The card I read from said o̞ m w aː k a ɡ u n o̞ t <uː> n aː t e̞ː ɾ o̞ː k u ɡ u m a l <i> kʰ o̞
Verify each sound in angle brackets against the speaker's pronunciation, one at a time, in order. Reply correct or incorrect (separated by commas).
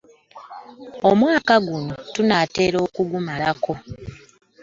incorrect, incorrect